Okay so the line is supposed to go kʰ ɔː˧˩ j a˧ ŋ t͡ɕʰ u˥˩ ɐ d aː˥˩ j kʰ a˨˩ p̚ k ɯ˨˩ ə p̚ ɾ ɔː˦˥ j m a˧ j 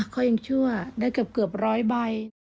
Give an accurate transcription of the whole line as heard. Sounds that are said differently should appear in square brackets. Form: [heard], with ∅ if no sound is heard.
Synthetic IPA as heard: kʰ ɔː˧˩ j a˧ ŋ t͡ɕʰ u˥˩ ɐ d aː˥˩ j [k] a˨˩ p̚ k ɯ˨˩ ə p̚ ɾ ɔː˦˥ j [b] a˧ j